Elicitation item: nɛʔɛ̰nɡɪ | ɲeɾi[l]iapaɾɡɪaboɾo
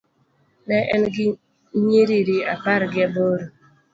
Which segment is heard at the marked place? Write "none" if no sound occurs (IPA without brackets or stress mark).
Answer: ɾ